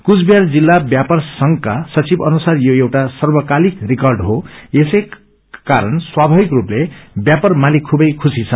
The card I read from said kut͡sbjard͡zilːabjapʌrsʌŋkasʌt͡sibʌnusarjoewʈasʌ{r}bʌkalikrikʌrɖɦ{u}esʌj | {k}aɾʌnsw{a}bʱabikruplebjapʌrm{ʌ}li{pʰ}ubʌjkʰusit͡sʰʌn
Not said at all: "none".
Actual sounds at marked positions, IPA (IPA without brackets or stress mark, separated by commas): r, o, k, a, a, kʰ